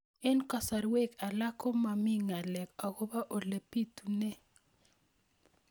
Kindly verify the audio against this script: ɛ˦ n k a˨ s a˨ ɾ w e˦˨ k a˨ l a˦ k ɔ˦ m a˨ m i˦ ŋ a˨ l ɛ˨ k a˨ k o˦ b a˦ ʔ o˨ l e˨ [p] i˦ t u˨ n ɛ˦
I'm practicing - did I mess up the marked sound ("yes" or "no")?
no